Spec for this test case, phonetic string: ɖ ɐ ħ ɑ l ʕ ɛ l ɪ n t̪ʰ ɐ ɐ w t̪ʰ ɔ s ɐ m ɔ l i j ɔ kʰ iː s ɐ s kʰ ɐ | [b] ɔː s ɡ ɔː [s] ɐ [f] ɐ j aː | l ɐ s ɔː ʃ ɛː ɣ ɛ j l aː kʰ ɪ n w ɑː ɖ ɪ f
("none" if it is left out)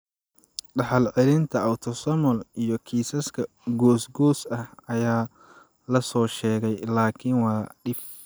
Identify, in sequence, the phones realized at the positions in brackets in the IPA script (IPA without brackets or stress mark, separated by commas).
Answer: ɡ, s, h